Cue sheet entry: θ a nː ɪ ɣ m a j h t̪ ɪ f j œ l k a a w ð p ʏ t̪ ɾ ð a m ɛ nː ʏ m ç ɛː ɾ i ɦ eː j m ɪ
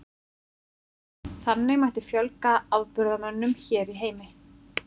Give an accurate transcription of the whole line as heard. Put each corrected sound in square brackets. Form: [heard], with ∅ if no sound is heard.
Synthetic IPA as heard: θ a nː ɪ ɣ m a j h t̪ ɪ f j œ l k a a w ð p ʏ [∅] ɾ ð a m [œ] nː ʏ m ç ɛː ɾ i ɦ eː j m ɪ

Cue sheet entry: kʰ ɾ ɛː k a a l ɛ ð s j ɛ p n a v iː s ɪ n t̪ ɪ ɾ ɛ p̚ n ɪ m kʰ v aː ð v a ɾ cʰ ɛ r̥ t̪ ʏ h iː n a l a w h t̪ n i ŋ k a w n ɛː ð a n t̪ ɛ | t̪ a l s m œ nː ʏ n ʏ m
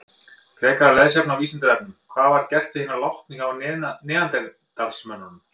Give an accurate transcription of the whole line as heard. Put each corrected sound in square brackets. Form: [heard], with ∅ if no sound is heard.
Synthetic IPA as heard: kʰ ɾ ɛː k a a l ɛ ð s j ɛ p n a v iː s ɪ n t̪ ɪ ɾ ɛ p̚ n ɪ m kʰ v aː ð v a ɾ [c] ɛ r̥ t̪ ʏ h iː n a l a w h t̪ n i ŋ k a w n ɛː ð a n t̪ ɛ | t̪ a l s m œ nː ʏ n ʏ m

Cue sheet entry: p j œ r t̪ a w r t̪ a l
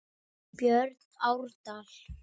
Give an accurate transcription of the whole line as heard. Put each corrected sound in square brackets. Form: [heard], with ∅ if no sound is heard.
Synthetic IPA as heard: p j œ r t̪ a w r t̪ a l

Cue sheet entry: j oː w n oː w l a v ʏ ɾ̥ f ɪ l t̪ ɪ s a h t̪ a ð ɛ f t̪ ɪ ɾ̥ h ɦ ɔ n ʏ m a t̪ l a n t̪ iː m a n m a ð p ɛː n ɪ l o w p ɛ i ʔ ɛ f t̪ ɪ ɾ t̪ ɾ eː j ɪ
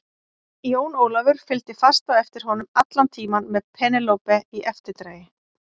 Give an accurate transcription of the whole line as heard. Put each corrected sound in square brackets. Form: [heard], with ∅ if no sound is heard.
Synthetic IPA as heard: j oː w n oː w l a v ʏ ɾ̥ f ɪ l t̪ ɪ [f] a [s] t̪ a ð ɛ f t̪ ɪ ɾ̥ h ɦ ɔ n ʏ m a t̪ l a n [t̪ʰ] iː m a n m [ɛ] ð [pʰ] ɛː n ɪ l o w p ɛ i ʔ ɛ f t̪ ɪ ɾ t̪ ɾ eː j ɪ

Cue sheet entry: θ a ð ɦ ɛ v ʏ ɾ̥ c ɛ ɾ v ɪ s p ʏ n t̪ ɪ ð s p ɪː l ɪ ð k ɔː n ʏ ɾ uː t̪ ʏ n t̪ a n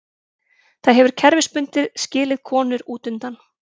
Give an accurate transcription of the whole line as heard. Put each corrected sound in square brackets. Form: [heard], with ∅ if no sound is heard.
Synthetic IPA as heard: θ a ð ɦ ɛ v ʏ ɾ̥ [cʰ] ɛ ɾ v ɪ s p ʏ n t̪ ɪ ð s [c] ɪː l ɪ ð [kʰ] ɔː n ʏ ɾ uː t̪ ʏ n t̪ a n

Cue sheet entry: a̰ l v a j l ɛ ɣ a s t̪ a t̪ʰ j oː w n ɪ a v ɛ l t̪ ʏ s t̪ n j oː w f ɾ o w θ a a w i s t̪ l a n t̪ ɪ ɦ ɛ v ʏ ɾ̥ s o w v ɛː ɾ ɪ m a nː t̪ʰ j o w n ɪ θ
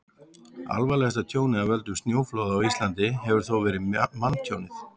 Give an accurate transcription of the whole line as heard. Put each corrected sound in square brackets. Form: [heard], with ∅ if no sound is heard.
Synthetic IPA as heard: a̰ l v a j l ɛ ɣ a s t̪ a t̪ʰ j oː w n ɪ a v ɛ l t̪ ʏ s t̪ n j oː w f [l] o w [ð] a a w i s t̪ l a n t̪ ɪ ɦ ɛ v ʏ ɾ̥ [θ] o w v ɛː ɾ ɪ m a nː t̪ʰ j o w n ɪ θ

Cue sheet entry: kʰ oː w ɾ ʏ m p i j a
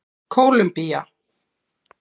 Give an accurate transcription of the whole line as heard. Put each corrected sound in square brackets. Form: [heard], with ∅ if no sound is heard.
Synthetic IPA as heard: kʰ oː w [l] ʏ m p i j a

